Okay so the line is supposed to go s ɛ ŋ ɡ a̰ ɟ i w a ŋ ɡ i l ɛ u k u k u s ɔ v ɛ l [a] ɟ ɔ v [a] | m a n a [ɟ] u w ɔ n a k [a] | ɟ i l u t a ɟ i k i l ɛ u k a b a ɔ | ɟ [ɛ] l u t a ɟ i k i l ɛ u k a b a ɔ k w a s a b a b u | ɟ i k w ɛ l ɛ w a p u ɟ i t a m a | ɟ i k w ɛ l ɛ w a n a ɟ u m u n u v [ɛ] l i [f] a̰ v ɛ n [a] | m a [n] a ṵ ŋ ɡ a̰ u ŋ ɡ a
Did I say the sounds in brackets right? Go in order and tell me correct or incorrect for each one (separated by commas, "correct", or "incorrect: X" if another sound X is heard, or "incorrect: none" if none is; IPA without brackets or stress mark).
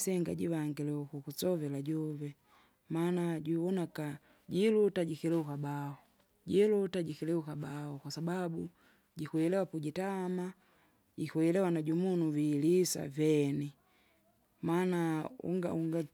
correct, incorrect: ɛ, correct, correct, incorrect: i, incorrect: i, incorrect: s, incorrect: i, correct